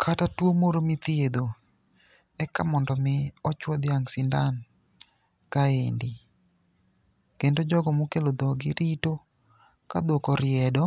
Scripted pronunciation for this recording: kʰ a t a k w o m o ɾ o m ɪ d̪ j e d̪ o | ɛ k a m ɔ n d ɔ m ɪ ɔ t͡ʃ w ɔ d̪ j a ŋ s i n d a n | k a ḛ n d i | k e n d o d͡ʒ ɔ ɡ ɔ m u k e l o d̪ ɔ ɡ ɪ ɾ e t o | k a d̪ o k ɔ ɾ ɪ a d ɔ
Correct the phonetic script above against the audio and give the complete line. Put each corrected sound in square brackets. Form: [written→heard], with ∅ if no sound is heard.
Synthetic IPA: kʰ a t a [k→t] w o m o ɾ o m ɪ [d̪→t̪] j e d̪ o | ɛ k a m ɔ n d ɔ m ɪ ɔ t͡ʃ w ɔ d̪ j a ŋ s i n d a n | k a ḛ n d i | k e n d o d͡ʒ ɔ ɡ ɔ m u k e l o d̪ ɔ ɡ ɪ ɾ [e→i] t o | k a d̪ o k ɔ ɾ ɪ [a→ɛ] d ɔ